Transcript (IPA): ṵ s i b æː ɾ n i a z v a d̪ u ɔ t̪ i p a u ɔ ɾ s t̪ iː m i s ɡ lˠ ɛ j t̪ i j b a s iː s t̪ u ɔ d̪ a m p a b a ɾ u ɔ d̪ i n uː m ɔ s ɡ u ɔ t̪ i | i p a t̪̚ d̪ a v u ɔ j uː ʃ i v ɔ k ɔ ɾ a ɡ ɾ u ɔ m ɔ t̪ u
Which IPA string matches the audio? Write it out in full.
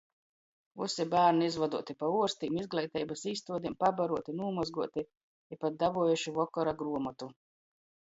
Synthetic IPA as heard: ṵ s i b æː ɾ n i i z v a d̪ u ɔ t̪ i p a u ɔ ɾ s t̪ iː m i z ɡ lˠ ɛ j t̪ ɛ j b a s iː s t̪ u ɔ d̪ i m p a b a ɾ u ɔ t̪ i n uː m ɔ z ɡ u ɔ t̪ i | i p a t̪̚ d̪ a v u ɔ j u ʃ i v ɔ k ɔ ɾ a ɡ ɾ u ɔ m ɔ t̪ u